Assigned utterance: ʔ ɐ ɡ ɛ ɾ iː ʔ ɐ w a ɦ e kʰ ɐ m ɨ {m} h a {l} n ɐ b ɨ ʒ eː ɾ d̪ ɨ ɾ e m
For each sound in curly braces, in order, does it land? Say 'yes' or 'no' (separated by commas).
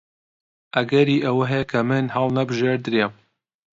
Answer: no, yes